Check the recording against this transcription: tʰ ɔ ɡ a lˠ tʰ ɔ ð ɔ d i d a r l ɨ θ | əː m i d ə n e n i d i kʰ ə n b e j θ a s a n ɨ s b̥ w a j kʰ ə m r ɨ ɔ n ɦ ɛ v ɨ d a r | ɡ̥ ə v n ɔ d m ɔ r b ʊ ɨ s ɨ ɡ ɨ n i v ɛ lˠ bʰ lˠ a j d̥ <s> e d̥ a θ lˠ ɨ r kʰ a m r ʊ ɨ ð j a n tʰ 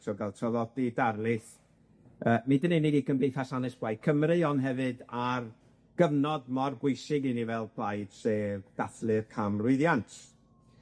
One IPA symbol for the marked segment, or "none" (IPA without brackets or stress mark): s